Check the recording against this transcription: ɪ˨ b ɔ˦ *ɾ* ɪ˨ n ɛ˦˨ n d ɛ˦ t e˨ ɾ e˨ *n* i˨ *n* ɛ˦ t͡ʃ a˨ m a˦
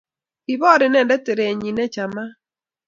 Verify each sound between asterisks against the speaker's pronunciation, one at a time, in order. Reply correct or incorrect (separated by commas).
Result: correct, incorrect, correct